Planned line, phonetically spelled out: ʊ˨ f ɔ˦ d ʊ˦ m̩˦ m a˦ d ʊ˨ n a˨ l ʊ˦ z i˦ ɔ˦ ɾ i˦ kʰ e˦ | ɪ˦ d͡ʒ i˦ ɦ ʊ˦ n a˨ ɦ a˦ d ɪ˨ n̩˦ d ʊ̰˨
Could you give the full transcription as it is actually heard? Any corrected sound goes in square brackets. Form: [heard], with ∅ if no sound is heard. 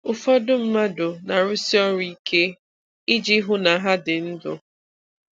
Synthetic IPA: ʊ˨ f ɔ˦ d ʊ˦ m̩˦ m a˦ d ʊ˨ n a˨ [ɾ] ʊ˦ [s] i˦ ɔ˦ ɾ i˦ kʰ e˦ | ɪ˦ d͡ʒ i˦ ɦ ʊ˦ n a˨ ɦ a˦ d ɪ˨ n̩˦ d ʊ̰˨

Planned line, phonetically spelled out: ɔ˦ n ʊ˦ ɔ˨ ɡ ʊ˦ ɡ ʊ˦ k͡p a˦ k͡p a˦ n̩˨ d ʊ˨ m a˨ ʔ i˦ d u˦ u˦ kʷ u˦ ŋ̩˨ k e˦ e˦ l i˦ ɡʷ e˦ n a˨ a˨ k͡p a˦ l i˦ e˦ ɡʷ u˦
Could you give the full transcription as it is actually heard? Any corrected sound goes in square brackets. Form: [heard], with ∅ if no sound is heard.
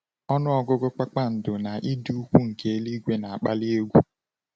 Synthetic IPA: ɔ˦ n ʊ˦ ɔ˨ ɡ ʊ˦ ɡ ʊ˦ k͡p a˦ k͡p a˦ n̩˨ d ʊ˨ [n] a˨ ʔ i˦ d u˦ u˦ kʷ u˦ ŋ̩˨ k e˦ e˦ l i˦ ɡʷ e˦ n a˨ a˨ k͡p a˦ l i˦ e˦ ɡʷ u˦

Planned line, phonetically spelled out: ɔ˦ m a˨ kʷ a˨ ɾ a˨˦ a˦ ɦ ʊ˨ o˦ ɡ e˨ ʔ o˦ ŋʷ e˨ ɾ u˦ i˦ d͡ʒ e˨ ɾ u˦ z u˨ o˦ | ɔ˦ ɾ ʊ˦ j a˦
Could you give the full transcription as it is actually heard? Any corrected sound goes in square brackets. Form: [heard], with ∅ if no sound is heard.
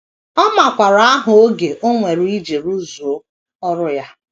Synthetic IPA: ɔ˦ m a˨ kʷ a˨ ɾ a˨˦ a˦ ɦ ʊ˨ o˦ ɡ e˨ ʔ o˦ ŋʷ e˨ ɾ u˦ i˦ d͡ʒ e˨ ɾ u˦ z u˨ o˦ | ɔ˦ ɾ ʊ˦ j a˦

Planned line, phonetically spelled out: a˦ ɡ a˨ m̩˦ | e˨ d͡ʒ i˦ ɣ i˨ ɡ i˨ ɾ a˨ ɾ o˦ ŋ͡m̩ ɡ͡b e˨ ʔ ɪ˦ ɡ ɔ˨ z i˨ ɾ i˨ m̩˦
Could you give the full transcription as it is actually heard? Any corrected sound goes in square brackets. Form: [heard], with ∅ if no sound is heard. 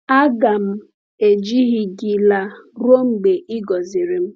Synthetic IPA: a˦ ɡ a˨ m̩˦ | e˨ d͡ʒ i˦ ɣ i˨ ɡ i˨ [l] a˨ ɾ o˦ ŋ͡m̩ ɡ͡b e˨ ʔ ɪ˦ ɡ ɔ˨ z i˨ ɾ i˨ m̩˦

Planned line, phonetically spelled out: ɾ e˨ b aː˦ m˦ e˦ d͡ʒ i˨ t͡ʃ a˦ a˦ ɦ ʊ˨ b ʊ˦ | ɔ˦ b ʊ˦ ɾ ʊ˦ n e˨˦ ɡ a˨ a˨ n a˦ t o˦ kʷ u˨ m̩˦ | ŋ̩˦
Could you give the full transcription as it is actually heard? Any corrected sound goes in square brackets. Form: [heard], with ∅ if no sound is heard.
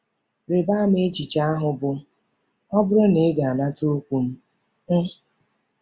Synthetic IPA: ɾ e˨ b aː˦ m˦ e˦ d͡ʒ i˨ t͡ʃ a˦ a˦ ɦ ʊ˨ b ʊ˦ | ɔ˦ b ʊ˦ ɾ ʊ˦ n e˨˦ ɡ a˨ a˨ n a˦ t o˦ kʷ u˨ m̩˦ | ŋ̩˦

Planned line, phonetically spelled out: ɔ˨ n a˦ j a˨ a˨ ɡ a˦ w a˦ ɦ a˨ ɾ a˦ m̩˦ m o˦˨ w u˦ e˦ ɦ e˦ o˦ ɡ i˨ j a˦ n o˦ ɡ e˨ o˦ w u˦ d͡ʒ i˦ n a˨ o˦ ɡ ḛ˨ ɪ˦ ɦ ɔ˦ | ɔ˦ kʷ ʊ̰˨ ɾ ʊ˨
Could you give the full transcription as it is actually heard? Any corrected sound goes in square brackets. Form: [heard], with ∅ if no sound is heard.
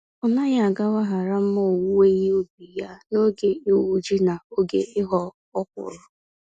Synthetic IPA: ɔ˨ n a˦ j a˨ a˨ ɡ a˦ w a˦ ɦ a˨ ɾ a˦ m̩˦ m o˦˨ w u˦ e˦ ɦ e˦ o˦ [b] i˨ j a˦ n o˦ ɡ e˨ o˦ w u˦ d͡ʒ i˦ n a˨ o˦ ɡ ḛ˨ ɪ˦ ɦ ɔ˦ | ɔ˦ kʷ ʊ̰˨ ɾ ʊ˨

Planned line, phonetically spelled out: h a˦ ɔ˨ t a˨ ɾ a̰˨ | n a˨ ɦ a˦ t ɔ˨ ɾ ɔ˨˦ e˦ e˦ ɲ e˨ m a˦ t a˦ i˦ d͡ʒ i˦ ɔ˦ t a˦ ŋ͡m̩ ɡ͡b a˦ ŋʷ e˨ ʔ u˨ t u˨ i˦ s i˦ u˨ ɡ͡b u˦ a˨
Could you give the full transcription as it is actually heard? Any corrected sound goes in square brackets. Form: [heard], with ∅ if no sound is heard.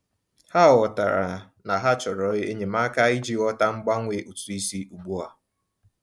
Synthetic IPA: h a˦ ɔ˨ t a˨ ɾ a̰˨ | n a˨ ɦ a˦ [t͡ʃ] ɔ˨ ɾ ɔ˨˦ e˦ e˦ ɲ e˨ m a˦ [k] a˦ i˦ d͡ʒ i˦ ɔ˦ t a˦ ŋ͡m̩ ɡ͡b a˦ ŋʷ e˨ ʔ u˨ t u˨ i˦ s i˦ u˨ ɡ͡b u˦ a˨

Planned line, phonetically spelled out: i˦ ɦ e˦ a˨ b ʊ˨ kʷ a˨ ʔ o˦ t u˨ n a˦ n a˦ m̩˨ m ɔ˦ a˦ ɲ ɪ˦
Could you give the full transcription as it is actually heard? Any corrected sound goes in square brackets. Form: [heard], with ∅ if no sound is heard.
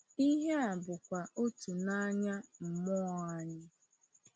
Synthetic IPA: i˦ ɦ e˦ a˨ b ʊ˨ kʷ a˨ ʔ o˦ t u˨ n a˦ [ɲ] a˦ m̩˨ m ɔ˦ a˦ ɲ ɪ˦

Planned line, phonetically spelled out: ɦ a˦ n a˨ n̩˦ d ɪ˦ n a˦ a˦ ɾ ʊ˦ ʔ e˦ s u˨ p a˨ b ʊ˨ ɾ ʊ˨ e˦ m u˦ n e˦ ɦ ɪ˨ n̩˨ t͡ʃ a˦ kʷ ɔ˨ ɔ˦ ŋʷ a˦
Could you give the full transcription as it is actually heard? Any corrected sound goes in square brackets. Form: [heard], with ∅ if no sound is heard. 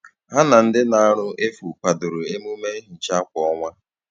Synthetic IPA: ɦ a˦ n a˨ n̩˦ d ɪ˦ n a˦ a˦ ɾ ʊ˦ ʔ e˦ [f] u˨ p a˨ [d] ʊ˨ ɾ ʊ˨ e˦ m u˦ [m] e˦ ɦ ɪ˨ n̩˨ t͡ʃ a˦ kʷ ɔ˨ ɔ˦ ŋʷ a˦

